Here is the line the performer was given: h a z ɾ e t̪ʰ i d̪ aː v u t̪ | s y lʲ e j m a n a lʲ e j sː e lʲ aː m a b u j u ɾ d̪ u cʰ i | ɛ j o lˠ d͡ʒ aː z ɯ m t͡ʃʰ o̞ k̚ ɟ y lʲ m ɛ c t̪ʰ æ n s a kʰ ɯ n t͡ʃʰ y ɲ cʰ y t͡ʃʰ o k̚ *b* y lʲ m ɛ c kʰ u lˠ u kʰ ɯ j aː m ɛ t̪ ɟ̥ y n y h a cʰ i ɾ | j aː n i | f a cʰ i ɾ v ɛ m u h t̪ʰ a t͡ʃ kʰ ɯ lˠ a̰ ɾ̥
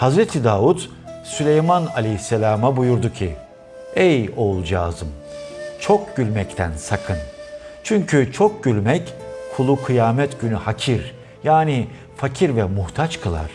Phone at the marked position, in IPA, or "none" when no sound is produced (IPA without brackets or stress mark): ɟ